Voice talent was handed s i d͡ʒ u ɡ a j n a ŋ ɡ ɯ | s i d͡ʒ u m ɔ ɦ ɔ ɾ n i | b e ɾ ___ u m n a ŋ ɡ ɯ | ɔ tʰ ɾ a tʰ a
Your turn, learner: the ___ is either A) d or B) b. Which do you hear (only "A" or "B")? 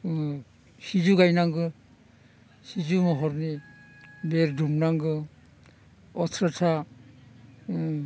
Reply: A